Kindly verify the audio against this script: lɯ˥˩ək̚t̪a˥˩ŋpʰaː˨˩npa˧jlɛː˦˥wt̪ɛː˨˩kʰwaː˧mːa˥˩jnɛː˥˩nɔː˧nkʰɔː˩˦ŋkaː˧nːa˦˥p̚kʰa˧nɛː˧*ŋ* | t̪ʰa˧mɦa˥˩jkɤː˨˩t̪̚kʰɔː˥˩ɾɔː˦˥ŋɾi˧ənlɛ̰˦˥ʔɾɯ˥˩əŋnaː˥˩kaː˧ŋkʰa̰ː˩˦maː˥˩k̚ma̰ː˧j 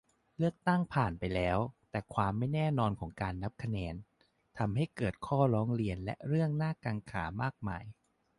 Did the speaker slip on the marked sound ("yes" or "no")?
yes